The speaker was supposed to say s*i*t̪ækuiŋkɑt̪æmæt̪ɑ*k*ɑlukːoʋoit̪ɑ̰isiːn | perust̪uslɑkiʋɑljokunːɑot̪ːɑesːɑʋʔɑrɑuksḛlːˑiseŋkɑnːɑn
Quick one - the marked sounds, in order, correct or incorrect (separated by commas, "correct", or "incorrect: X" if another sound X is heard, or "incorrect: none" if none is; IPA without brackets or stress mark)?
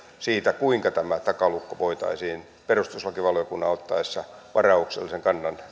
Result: incorrect: iː, correct